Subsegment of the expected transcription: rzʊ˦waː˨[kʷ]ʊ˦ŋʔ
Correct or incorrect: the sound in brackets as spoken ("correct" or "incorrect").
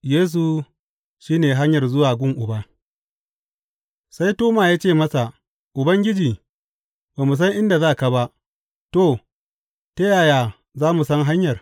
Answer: incorrect